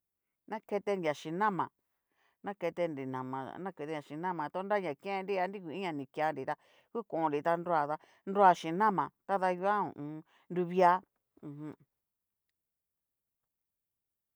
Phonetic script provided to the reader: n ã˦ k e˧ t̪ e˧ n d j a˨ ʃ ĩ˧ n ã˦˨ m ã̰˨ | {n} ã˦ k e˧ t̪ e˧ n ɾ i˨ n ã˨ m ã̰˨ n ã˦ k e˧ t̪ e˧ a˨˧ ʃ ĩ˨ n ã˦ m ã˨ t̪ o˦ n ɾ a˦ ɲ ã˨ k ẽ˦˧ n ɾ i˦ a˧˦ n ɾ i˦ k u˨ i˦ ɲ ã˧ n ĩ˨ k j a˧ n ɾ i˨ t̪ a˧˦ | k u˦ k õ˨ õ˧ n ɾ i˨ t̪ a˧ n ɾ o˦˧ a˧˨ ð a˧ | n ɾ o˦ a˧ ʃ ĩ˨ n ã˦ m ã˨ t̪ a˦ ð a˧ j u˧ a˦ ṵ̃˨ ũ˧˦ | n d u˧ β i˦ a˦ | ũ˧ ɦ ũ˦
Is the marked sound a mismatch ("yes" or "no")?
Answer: no